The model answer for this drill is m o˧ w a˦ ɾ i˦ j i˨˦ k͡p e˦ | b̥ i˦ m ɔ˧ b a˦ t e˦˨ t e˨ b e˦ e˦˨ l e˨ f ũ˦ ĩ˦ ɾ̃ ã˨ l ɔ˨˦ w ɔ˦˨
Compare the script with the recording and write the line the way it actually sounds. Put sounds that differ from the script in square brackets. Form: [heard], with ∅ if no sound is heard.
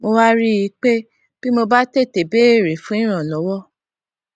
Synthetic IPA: m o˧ w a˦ ɾ i˦ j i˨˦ k͡p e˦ | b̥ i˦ m [o˧] b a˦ t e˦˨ t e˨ b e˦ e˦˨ [ɾ] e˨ f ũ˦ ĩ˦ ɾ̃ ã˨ l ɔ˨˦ w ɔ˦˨